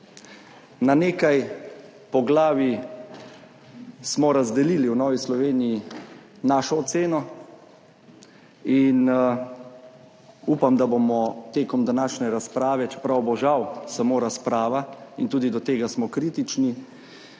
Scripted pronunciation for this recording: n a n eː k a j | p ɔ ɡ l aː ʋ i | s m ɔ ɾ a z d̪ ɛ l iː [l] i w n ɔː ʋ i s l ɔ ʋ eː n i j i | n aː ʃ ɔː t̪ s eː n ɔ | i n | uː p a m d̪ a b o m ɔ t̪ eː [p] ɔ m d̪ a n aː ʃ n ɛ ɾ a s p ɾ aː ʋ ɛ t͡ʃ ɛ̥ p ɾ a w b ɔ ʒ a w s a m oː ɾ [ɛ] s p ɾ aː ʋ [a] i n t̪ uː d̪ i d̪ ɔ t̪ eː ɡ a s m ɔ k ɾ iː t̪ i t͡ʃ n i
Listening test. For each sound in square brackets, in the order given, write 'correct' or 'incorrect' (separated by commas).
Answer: correct, incorrect, incorrect, correct